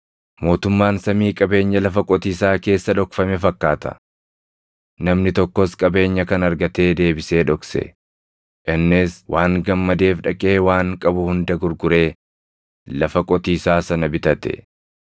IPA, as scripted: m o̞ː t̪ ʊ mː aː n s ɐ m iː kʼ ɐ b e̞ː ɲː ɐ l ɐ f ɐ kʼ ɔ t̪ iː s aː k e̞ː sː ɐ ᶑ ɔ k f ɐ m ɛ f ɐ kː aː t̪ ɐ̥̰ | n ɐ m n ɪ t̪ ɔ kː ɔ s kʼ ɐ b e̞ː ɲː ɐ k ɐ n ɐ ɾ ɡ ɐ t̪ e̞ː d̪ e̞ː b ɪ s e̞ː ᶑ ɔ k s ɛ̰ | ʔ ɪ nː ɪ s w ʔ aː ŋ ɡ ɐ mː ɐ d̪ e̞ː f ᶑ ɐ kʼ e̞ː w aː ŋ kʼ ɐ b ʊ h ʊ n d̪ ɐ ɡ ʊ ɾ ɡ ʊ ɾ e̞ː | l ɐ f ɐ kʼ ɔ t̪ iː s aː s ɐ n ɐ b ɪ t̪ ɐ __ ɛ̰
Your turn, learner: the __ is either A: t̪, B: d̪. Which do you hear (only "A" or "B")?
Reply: A